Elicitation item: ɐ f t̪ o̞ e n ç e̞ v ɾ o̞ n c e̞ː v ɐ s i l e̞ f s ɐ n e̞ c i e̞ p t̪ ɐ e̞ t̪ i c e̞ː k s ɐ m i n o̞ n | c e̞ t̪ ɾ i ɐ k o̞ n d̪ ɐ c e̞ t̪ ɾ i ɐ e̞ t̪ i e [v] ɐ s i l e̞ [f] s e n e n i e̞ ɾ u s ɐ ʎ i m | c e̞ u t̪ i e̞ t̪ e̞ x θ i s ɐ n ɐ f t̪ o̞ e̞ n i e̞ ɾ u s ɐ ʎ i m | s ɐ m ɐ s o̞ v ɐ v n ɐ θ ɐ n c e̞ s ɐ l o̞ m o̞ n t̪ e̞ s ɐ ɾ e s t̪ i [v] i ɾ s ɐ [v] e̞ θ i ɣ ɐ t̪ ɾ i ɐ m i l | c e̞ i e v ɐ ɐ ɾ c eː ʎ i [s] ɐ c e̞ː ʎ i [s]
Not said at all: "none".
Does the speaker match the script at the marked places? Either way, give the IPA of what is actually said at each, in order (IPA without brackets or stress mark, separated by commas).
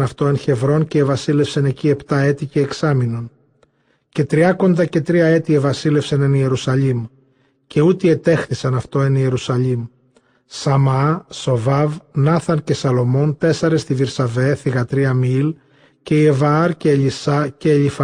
v, f, v, v, s, f